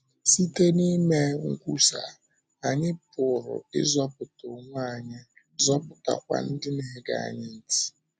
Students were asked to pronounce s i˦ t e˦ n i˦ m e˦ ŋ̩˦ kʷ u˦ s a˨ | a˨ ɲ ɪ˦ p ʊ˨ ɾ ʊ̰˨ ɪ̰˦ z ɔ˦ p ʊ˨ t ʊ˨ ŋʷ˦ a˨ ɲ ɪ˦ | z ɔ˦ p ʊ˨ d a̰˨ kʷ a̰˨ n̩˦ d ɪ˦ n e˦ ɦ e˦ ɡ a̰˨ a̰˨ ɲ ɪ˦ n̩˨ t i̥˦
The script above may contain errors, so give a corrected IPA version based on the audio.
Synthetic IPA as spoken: s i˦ t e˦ n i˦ m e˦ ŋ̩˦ kʷ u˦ s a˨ | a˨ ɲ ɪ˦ p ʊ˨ ɾ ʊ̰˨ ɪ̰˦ z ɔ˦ p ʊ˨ t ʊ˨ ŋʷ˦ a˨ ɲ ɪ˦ | z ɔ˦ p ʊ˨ t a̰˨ kʷ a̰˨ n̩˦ d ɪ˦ n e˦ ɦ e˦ ɡ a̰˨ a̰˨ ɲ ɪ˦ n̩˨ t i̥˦